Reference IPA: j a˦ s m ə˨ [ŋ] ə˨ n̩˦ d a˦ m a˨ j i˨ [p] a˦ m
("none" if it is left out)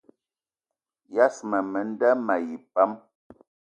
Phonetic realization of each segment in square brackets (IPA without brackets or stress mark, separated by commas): m, p